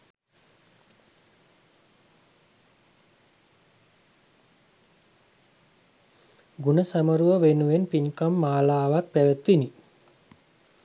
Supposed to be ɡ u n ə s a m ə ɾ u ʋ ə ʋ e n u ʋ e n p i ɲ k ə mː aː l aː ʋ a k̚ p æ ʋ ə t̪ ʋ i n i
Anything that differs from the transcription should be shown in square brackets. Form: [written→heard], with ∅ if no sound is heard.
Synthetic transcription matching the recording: ɡ u n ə s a m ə ɾ u ʋ ə ʋ e n u ʋ e n p i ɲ k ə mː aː l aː ʋ a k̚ p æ ʋ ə t̪ ʋ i n i